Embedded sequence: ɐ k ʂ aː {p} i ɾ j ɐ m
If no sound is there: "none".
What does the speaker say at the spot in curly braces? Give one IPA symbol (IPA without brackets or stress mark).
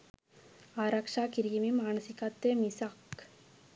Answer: k